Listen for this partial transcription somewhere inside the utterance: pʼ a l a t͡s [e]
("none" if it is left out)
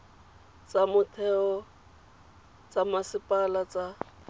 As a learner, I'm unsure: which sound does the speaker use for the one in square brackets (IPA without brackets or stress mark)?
a